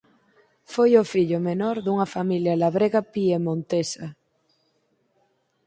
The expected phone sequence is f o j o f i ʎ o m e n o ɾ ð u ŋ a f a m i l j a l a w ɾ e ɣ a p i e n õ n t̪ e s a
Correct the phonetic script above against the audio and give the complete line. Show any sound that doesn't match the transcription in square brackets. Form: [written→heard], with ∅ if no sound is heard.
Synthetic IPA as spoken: f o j o f i ʎ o m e n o ɾ ð u ŋ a f a m i l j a l a [w→β] ɾ e ɣ a p i e [n→m] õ n t̪ e s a